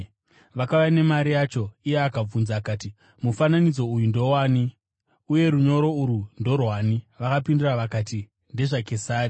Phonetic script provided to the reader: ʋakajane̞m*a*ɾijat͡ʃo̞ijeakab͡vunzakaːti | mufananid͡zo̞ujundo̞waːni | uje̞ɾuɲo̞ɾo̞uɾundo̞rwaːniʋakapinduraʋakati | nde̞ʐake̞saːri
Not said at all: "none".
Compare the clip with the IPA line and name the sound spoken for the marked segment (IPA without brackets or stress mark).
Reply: a